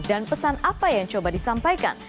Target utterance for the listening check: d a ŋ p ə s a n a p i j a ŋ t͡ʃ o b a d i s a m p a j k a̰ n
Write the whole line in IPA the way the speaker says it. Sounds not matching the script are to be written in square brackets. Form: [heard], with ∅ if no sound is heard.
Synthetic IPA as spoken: d a [n] p ə s a n a p [a] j a ŋ t͡ʃ o b a d i s a m p a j k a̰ n

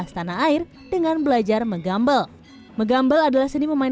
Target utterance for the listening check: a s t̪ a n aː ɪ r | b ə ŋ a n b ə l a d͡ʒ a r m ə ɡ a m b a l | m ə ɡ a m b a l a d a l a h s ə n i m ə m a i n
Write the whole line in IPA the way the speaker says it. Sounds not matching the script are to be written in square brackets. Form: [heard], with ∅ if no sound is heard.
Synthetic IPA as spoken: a s t̪ a n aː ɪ r | [d] ə ŋ a n b ə l a d͡ʒ a r m ə ɡ a m b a l | m ə ɡ a m b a l a d a l a h s ə n i m ə m a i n

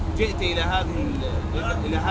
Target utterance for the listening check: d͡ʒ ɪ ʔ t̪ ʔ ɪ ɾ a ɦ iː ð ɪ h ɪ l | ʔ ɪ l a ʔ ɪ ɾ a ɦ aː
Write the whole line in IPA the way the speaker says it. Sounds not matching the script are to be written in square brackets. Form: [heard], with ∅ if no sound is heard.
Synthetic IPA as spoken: d͡ʒ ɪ ʔ t̪ ʔ ɪ [l] a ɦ [aː] ð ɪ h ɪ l | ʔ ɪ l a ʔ ɪ [l] a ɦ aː

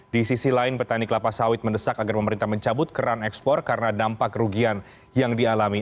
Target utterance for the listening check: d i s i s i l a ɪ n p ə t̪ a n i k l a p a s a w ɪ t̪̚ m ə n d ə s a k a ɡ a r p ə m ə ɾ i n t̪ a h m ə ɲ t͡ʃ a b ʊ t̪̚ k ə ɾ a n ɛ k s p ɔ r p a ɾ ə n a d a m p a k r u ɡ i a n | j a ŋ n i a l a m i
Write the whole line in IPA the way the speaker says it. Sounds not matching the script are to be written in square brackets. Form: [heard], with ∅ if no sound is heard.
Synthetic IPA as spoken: d i s i s i l a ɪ n p ə t̪ a n i k l a p a s a w ɪ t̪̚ m ə n d ə s a k a ɡ a r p ə m ə ɾ i n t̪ a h m ə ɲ t͡ʃ a b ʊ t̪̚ k ə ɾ a n ɛ k s p ɔ r [k] a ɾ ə n a d a m p a k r u ɡ i a n | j a ŋ [d] i a l a m i

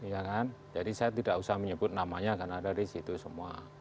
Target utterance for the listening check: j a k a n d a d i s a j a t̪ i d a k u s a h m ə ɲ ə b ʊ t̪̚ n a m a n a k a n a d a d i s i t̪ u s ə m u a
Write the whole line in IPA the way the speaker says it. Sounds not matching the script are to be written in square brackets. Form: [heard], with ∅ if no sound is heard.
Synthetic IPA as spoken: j a k a n [d͡ʒ] a d i s a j a t̪ i d a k u s a h m ə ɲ ə b ʊ t̪̚ n a m a [ɲ] a k a n a d a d i s i t̪ u s ə m u a

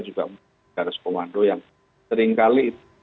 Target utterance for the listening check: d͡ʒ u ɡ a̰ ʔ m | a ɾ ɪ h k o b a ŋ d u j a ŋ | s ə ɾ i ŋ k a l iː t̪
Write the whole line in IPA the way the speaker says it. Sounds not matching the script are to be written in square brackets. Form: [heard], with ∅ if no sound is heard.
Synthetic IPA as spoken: d͡ʒ u ɡ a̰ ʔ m | a ɾ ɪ [s] k o [m] a [n] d [o] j a ŋ | s ə ɾ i ŋ k a l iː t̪

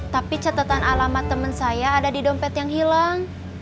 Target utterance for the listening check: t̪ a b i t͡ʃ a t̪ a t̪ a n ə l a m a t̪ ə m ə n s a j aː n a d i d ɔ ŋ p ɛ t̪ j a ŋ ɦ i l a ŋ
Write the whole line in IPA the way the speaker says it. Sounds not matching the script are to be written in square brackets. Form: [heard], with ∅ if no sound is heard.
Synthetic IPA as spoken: t̪ a [p] i t͡ʃ a t̪ a t̪ a n [a] l a m a t̪ ə m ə n s a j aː [d] a d i d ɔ [m] p ɛ t̪ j a ŋ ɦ i l a ŋ

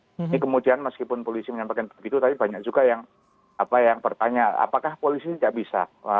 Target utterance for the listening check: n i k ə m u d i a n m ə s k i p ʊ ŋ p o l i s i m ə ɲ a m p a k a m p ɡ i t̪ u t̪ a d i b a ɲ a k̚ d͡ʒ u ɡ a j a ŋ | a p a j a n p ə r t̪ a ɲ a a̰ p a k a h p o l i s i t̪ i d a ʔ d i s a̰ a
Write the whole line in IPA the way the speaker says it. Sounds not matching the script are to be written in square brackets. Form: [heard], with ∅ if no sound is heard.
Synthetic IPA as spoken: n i k ə m u d i a n m ə s k i p ʊ [n] p o l i s i m ə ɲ a m p a k a [n] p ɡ i t̪ u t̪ a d i b a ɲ a k̚ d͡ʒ u ɡ a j a ŋ | a p a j a [ŋ] p ə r t̪ a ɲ a a̰ p a k a h p o l i s i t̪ i d a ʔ [b] i s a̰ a

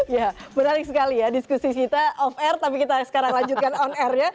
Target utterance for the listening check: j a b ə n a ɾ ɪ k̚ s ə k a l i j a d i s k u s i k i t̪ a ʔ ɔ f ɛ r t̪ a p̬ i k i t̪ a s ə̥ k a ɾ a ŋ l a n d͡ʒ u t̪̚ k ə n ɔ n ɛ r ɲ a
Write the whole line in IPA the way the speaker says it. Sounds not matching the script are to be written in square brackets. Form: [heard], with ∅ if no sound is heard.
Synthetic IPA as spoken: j a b ə n a ɾ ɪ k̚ s ə k a l i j a d i s k u s i k i t̪ a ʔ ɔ f ɛ r t̪ a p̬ i k i t̪ a s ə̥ k a ɾ a ŋ l a [ɲ] d͡ʒ u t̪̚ k [a] n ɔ n ɛ r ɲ a

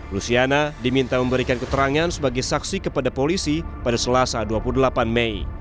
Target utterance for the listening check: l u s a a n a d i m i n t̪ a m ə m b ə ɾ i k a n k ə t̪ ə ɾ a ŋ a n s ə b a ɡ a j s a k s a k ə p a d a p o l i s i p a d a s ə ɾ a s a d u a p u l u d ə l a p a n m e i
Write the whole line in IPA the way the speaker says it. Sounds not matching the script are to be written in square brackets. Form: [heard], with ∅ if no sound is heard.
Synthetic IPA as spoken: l u s [i] a n a d i m i n t̪ a m ə m b ə ɾ i k a n k ə t̪ ə ɾ a ŋ a n s ə b a ɡ a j s a k s [i] k ə p a d a p o l i s i p a d a s ə [l] a s a d u a p u l u d ə l a p a n m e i

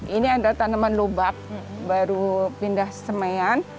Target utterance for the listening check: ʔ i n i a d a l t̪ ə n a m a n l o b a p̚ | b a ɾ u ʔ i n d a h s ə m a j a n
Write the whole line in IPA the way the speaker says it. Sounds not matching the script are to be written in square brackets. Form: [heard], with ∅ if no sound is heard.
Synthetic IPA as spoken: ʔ i n i a d a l t̪ [a] n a m a n l o b a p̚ | b a ɾ u [p] i n d a h s ə m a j a n

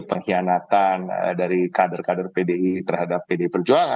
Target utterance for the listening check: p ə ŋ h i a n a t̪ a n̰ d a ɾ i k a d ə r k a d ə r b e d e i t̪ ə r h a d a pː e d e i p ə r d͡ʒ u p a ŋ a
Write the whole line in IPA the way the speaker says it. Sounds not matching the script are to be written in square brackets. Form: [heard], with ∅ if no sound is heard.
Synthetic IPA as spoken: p ə ŋ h i a n a t̪ a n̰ d a ɾ i k a d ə r k a d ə r [p] e d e i t̪ ə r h a d a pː e d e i p ə r d͡ʒ u [∅] a ŋ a

